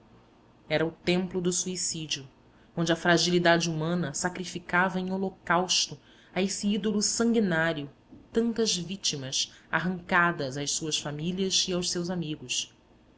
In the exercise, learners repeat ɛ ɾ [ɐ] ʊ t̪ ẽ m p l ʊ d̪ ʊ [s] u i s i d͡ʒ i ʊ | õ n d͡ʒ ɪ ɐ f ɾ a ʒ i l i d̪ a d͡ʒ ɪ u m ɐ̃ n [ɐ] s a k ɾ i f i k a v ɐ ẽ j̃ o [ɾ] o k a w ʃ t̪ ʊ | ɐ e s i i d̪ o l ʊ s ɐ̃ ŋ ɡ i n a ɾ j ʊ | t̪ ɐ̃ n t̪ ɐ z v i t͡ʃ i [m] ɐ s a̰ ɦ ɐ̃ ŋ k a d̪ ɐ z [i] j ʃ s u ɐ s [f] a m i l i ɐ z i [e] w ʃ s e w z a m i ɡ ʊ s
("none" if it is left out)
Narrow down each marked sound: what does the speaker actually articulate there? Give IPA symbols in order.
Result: ɐ, s, ɐ, l, m, a, f, a

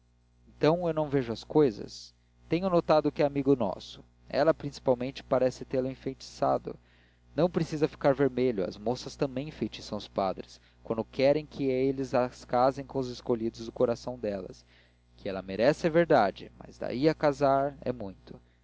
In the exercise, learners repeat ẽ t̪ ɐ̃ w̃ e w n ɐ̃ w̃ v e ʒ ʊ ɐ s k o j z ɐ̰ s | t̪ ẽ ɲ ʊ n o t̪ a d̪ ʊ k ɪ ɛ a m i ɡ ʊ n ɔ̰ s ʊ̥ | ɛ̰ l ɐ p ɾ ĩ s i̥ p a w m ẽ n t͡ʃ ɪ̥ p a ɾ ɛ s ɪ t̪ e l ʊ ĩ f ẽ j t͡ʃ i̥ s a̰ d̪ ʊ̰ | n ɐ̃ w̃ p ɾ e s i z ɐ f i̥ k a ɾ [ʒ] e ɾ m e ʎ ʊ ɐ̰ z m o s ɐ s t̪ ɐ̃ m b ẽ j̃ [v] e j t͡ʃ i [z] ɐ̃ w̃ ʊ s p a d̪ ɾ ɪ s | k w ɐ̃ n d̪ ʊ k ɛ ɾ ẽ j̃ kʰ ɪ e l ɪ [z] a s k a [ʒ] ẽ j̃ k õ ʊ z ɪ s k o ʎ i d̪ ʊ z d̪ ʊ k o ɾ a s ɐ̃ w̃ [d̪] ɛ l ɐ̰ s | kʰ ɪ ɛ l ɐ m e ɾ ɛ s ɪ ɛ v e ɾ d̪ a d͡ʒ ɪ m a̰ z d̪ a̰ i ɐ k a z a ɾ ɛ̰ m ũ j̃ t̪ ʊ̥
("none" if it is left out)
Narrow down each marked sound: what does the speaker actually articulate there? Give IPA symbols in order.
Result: v, f, s, z, z, d̪

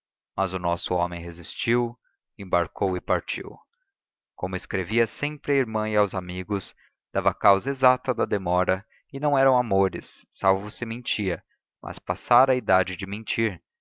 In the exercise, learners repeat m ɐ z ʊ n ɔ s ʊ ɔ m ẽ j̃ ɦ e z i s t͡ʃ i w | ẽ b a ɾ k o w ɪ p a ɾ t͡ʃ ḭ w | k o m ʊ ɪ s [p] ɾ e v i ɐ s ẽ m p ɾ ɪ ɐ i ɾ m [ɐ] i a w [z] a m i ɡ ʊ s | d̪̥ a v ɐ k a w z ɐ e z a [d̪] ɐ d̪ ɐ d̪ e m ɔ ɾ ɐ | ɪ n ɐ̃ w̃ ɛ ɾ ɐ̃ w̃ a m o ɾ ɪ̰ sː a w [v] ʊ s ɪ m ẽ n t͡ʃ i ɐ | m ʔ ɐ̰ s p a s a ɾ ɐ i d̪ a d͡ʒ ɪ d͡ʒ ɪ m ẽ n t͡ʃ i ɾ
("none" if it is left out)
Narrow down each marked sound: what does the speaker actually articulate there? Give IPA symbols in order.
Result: k, ɐ̃, z, t̪, v

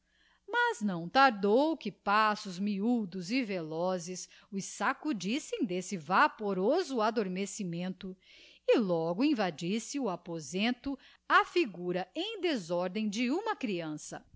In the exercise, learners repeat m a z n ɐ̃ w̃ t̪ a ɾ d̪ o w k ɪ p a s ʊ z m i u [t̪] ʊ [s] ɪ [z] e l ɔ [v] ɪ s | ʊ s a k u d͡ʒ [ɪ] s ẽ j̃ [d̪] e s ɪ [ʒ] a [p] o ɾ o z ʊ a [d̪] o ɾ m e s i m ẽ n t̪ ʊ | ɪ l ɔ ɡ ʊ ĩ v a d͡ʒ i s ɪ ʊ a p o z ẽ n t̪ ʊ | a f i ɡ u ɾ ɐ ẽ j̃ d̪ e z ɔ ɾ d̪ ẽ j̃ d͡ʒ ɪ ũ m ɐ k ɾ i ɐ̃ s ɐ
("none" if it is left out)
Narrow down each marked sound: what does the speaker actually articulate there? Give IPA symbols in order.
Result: d̪, z, v, z, i, d̪, v, p, d̪

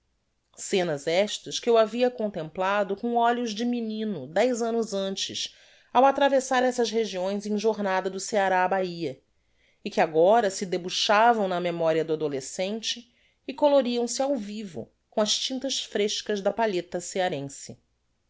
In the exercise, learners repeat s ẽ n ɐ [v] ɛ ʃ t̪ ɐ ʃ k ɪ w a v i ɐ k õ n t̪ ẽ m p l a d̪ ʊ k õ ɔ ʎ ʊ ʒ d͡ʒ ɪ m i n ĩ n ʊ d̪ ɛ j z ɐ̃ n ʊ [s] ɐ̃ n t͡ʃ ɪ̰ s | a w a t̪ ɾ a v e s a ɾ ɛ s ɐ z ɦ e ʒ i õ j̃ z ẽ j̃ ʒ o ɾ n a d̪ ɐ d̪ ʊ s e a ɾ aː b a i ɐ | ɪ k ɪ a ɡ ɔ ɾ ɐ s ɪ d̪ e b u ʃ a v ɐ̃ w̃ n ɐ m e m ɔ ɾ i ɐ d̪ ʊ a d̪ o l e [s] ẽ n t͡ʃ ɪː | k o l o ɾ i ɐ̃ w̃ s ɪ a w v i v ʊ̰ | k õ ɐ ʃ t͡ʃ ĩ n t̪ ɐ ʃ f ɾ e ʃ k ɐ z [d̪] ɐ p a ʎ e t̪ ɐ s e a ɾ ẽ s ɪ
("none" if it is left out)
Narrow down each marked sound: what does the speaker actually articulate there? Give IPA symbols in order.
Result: z, z, s, d̪

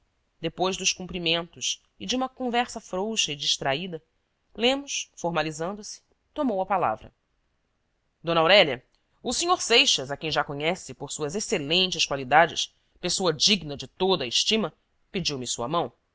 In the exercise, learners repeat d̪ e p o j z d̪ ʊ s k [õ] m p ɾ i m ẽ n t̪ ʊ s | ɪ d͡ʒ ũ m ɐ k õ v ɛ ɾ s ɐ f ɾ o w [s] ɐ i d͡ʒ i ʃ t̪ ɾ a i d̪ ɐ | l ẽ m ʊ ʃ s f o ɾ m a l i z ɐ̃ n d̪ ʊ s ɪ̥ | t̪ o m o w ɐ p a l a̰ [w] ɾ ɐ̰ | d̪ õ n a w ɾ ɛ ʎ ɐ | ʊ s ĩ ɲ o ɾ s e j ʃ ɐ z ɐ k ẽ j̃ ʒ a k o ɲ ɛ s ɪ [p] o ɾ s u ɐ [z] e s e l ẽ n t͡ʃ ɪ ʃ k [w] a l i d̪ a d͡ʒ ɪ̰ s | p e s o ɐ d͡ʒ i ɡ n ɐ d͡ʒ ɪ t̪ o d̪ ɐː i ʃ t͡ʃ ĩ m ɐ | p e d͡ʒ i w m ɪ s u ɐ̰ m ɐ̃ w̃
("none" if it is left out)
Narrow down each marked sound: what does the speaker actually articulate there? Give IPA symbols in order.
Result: ũ, ʃ, v, p, z, w

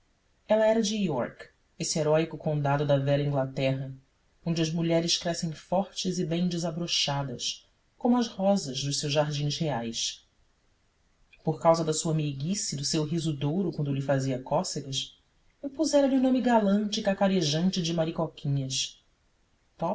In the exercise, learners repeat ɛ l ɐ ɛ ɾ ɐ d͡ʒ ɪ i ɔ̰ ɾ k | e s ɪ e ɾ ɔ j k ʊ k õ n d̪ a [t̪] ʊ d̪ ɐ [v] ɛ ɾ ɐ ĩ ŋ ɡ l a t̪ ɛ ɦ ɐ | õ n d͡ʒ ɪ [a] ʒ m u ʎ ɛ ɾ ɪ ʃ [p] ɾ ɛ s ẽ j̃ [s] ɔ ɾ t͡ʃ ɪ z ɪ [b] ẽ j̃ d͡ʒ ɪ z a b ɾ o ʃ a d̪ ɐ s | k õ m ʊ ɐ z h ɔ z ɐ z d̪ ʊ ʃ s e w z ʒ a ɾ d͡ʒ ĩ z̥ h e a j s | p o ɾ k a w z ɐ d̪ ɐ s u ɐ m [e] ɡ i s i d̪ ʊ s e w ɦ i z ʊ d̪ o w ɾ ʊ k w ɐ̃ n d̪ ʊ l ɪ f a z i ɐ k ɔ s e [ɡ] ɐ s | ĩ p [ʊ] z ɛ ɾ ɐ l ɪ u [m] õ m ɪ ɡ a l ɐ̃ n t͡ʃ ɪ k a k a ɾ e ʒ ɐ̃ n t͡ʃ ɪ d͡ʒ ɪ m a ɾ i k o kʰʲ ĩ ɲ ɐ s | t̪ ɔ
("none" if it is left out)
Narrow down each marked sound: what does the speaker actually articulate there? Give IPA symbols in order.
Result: d̪, v, ɐ, k, f, b, e, ɡ, u, n

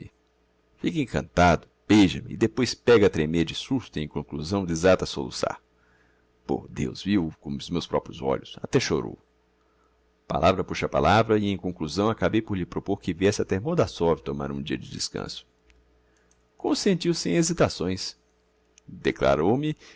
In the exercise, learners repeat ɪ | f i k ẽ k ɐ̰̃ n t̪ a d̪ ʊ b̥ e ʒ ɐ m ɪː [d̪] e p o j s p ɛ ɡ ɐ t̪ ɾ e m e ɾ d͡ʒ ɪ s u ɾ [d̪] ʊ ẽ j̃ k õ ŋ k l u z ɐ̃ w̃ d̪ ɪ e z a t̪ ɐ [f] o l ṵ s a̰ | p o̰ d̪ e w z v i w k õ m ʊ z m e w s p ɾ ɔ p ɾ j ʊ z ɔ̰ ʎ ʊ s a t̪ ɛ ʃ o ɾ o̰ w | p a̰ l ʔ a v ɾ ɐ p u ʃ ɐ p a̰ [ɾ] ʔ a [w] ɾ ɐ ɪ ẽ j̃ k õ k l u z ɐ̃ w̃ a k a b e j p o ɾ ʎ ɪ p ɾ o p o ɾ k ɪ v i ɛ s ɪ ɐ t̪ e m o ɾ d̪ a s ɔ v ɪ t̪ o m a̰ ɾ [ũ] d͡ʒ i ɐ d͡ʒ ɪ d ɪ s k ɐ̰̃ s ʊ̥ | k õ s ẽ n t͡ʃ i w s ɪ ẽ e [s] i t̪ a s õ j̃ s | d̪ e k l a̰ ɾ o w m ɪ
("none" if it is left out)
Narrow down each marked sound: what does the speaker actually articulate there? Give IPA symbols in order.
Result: d̪, t̪, s, l, v, ũ, z

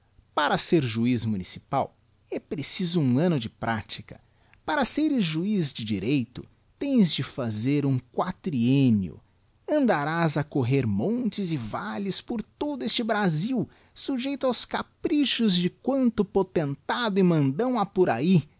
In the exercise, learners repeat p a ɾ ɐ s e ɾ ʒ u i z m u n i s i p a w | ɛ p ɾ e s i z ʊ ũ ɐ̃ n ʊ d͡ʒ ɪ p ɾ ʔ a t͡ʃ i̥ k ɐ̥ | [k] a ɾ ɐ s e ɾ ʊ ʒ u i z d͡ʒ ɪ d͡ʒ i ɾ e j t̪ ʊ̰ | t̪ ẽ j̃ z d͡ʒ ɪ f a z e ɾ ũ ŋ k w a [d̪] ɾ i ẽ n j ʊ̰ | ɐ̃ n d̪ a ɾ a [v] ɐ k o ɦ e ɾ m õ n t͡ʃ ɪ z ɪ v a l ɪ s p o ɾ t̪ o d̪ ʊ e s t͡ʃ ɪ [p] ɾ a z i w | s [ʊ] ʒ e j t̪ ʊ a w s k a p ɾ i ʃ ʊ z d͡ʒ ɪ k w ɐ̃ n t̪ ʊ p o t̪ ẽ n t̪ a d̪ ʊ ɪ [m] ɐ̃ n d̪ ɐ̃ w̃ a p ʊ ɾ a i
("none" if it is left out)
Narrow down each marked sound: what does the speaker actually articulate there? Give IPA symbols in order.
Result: p, t̪, z, b, u, m

